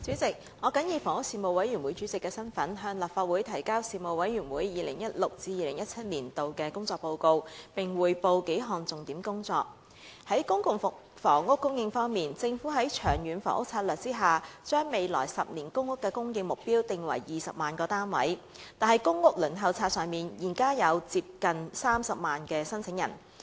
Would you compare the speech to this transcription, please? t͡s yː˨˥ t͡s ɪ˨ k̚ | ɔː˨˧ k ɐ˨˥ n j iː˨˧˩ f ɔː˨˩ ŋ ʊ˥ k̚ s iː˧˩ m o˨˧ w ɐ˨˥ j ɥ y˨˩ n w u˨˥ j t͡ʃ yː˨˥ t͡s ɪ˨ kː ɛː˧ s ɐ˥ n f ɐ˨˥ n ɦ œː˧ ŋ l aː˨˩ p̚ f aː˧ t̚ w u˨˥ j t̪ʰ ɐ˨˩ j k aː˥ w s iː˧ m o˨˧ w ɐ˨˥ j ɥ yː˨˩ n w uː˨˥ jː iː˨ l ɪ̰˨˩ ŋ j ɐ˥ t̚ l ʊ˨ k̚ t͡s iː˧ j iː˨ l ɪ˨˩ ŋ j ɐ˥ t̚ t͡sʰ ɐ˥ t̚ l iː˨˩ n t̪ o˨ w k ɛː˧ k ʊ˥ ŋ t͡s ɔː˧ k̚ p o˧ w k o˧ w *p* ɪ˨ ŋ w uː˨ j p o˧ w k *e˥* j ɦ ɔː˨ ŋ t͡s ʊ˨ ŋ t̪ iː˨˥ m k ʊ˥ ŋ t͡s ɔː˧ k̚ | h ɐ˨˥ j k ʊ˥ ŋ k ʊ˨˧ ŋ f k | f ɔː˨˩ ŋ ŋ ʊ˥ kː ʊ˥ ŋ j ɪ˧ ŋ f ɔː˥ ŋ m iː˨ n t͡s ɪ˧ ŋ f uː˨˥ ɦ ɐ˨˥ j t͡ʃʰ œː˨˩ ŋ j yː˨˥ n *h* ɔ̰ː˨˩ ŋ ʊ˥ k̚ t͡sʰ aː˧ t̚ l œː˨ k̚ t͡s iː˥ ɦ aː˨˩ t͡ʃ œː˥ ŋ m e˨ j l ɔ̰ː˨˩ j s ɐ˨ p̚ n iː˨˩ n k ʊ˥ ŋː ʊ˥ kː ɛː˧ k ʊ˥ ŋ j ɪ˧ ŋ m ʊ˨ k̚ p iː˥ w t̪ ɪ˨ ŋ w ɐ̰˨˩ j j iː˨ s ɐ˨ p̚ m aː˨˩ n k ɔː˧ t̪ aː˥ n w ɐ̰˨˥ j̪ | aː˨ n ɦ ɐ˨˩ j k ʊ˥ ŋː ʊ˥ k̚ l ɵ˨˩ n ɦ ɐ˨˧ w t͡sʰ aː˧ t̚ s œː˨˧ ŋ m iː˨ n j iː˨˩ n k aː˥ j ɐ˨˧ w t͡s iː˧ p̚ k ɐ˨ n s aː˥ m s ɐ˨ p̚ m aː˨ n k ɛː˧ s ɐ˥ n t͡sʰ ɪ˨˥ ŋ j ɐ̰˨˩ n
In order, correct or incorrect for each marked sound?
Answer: correct, incorrect: e˨˥, incorrect: f

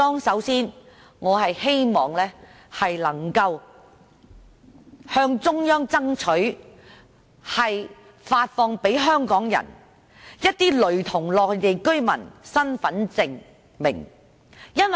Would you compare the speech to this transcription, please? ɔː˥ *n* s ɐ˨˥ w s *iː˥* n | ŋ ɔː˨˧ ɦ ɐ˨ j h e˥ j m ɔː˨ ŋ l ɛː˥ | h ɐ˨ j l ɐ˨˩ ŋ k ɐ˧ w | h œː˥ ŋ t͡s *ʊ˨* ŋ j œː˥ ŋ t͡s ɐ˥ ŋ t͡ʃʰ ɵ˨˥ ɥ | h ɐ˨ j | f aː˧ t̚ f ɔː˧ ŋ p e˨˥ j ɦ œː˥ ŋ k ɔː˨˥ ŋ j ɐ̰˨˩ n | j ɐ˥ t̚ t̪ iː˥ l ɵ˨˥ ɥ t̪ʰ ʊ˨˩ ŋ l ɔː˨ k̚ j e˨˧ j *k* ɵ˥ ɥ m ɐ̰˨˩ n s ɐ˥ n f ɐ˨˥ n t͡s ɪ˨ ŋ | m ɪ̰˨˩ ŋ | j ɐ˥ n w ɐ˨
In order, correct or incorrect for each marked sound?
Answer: incorrect: ŋ, correct, incorrect: ʊ˥, correct

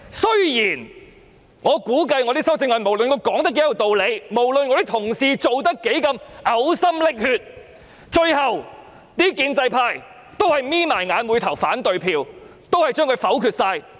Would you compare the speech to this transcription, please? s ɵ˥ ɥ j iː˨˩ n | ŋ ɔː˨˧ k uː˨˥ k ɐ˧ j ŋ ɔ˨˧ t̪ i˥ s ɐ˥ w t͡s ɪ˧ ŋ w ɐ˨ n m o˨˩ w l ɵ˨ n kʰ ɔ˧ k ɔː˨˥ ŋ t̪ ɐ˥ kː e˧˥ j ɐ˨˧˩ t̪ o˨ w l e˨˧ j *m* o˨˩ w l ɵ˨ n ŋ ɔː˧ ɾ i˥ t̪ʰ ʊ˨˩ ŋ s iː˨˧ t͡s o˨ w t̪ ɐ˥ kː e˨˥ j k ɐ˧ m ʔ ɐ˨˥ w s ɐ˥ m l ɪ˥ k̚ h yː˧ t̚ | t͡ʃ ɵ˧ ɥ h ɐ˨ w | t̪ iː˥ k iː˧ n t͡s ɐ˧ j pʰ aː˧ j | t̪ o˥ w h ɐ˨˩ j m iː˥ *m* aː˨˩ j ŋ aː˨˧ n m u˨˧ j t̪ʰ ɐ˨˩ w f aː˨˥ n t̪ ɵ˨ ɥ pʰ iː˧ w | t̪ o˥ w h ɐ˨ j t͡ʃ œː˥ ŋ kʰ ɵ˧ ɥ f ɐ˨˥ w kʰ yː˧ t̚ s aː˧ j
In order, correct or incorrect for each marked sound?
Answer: correct, correct

